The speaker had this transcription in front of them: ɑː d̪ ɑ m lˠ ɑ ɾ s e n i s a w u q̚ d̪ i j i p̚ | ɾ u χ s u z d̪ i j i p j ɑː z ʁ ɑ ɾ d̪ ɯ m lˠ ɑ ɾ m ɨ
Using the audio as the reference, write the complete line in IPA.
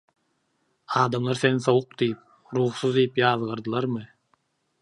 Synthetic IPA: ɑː d̪ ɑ m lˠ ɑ ɾ s e n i s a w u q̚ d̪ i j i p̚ | ɾ u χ s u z d̪ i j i p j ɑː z ʁ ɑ ɾ d̪ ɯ lˠ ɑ ɾ m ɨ